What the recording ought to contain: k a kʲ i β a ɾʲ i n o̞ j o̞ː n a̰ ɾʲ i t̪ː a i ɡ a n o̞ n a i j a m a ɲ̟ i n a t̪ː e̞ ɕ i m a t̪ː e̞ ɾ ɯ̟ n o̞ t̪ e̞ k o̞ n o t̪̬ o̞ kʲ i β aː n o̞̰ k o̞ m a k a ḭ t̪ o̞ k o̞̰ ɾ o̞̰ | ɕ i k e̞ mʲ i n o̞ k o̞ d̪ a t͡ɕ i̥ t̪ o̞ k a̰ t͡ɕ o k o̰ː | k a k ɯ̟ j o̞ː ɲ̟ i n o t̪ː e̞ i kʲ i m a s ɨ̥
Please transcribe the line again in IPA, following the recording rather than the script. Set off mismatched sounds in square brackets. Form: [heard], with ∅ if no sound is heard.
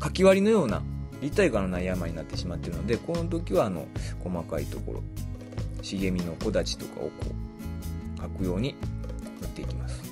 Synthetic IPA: k a kʲ i β a ɾʲ i n o̞ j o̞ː n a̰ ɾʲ i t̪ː a i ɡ a n o̞ n a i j a m a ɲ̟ i n a t̪ː e̞ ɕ i m a t̪ː e̞ ɾ ɯ̟ n o̞ [d̪] e̞ k o̞ n o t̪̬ o̞ kʲ i β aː n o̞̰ k o̞ m a k a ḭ t̪ o̞ k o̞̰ ɾ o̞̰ | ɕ i [ɡ] e̞ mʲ i n o̞ k o̞ d̪ a t͡ɕ i̥ t̪ o̞ k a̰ [∅] o k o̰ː | k a k ɯ̟ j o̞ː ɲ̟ i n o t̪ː e̞ i kʲ i m a s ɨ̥